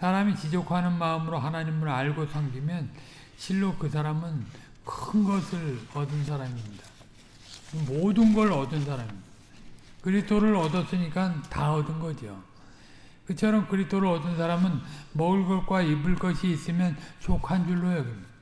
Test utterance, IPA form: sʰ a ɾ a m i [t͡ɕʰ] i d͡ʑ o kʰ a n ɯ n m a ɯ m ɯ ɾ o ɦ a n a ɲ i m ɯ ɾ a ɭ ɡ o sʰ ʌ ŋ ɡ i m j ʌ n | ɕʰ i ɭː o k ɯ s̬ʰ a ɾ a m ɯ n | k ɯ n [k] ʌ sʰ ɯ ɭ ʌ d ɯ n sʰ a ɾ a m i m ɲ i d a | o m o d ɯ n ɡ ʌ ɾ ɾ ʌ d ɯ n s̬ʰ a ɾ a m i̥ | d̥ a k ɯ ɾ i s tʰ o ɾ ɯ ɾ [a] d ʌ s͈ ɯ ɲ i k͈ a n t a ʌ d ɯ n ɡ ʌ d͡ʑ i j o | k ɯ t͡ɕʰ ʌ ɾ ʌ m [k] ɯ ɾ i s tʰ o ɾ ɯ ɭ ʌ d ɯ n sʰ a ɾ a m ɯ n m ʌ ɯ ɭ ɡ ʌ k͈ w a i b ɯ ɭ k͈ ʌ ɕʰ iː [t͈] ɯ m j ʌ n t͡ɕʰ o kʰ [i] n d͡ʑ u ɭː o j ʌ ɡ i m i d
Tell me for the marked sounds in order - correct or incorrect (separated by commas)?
incorrect, incorrect, incorrect, correct, incorrect, incorrect